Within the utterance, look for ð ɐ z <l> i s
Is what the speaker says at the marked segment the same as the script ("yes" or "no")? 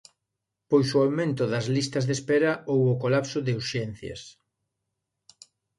yes